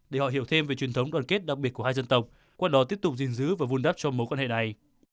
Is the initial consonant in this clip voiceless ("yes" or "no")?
no